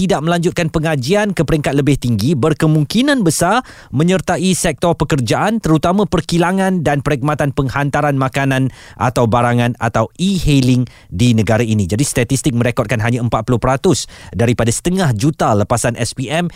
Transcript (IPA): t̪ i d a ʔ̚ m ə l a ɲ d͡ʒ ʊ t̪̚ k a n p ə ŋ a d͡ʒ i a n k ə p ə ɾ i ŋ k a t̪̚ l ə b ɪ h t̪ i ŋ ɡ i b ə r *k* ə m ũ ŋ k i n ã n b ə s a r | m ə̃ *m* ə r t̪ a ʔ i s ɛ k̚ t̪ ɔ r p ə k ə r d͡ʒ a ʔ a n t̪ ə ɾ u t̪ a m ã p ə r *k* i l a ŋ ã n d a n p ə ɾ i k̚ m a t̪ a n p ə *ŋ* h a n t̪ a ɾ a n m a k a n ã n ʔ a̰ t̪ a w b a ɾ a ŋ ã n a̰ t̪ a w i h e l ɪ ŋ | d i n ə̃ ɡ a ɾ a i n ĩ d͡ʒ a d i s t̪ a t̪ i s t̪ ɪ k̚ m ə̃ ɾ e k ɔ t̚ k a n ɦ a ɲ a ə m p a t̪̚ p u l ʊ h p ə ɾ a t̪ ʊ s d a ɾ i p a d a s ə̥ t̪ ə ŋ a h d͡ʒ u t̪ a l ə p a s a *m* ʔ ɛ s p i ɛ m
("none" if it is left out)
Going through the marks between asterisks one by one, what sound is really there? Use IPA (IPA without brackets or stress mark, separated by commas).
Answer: k, ɲ, k, ŋ, n